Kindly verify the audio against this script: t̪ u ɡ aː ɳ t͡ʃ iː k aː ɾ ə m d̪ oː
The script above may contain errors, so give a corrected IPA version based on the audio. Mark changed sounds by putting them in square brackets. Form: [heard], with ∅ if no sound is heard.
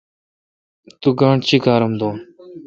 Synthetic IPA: t̪ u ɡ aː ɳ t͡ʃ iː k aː ɾ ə m d̪ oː